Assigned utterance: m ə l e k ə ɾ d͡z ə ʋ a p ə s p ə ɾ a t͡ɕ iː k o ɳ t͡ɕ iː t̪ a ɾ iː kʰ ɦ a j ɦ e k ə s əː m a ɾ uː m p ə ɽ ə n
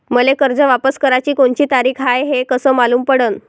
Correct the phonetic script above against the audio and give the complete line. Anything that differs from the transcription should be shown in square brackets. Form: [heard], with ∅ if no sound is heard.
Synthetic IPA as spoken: m ə l e k ə ɾ d͡z ə ʋ a p ə s [k] ə ɾ a t͡ɕ iː k o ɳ t͡ɕ iː t̪ a ɾ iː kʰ ɦ a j ɦ e k ə s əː m a [l] uː m p ə ɽ ə n

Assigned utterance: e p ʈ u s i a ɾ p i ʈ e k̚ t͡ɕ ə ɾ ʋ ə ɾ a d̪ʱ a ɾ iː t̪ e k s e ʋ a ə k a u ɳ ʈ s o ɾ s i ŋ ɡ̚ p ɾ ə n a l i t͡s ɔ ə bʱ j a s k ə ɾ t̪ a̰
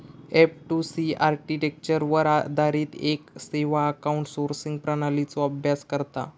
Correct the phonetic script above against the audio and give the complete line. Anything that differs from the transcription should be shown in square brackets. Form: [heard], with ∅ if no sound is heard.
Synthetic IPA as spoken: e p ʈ u s i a ɾ [k] i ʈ e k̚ t͡ɕ ə ɾ ʋ ə ɾ a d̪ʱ a ɾ iː t̪ e k s e ʋ a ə k a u ɳ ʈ s o ɾ s i ŋ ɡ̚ p ɾ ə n a l i t͡s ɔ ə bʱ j a s k ə ɾ t̪ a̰

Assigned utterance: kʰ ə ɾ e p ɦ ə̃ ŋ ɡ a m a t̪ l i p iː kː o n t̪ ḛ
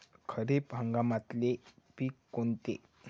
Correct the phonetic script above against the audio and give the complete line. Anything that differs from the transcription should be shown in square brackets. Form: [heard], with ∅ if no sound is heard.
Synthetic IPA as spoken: kʰ ə ɾ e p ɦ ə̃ ŋ ɡ a m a t̪ l [e] p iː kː o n t̪ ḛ

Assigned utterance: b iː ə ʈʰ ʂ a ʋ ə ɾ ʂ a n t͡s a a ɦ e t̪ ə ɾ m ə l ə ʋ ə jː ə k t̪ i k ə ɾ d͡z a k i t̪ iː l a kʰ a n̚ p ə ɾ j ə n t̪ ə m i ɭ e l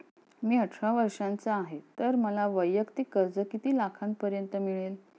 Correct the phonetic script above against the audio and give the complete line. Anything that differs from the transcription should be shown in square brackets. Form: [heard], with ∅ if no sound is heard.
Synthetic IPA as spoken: [m] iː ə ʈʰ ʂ a ʋ ə ɾ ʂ a n t͡s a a ɦ e t̪ ə ɾ m ə l [a] ʋ ə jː ə k t̪ i k ə ɾ d͡z [ə] k i t̪ iː l a kʰ a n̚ p ə ɾ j ə n t̪ ə m i ɭ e l

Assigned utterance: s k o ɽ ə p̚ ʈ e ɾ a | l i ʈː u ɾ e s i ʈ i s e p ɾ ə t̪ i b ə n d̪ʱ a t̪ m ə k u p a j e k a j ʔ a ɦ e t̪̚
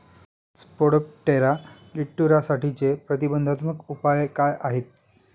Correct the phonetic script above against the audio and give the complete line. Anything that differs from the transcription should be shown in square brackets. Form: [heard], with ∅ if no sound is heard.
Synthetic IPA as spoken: s [p] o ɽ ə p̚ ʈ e ɾ a | l i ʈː u ɾ [a] s [a] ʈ i [t͡s] e p ɾ ə t̪ i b ə n d̪ʱ a t̪ m ə k u p a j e k a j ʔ a ɦ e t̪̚

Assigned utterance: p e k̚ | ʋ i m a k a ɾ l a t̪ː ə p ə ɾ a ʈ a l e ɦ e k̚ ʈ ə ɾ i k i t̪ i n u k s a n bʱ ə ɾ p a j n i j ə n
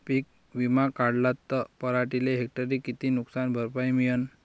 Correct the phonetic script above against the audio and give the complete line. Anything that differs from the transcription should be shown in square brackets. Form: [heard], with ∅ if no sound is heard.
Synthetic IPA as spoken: p [i] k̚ | ʋ i m a k a [ɽ] l a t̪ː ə p ə ɾ a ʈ [i] l e ɦ e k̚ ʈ ə ɾ i k i t̪ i n u k s a n bʱ ə ɾ p a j [m] i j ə n

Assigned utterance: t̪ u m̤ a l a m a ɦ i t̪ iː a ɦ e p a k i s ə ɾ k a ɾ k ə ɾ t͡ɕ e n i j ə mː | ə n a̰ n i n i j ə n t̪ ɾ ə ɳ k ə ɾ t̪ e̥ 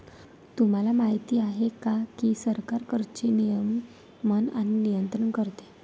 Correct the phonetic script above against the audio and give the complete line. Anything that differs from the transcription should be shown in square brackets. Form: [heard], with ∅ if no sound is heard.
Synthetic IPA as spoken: t̪ u m̤ a l a m a ɦ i t̪ iː a ɦ e [k] a k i s ə ɾ k a ɾ k ə ɾ t͡ɕ e n i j ə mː | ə n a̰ n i n i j ə n t̪ ɾ ə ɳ k ə ɾ t̪ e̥

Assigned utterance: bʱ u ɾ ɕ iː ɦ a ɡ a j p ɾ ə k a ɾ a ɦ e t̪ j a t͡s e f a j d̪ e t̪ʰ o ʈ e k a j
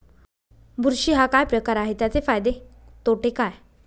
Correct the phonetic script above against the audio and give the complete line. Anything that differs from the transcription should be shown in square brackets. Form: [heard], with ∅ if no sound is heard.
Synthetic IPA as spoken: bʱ u ɾ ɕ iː ɦ a [k] a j p ɾ ə k a ɾ a ɦ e t̪ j a t͡s e f a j d̪ e [t̪] o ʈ e k a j

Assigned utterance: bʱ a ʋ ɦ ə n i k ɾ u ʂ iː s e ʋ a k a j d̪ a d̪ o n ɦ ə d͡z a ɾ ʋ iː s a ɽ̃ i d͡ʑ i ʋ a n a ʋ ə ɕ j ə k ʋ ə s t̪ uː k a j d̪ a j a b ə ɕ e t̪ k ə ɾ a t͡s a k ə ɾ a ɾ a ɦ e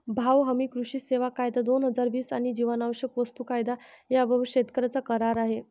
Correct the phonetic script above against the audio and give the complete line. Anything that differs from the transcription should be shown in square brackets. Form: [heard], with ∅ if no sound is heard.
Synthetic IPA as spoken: bʱ a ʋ ɦ ə [m] i k ɾ u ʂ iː s e ʋ a k a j d̪ a d̪ o n ɦ ə d͡z a ɾ ʋ iː s a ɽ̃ i d͡ʑ i ʋ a n a ʋ ə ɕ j ə k ʋ ə s t̪ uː k a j d̪ a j a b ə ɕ e t̪ k ə ɾ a t͡s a k ə ɾ a ɾ a ɦ e

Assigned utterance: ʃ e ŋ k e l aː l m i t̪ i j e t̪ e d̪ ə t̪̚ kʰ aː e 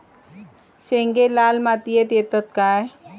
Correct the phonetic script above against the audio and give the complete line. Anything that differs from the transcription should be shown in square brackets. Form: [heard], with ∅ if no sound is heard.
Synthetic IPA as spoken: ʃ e ŋ [ɡ] e l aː l m [a] t̪ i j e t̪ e [t̪] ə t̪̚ [k] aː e

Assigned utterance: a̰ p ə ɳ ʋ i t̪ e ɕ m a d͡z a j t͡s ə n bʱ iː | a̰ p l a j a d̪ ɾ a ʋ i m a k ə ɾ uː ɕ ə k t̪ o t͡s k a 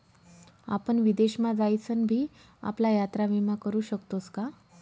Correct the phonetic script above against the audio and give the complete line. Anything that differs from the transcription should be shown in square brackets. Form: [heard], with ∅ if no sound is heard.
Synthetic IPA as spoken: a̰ p ə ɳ ʋ i [d̪] e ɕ m a d͡z a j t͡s ə n bʱ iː | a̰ p l a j a [t̪] ɾ a ʋ i m a k ə ɾ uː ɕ ə k t̪ o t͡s k a

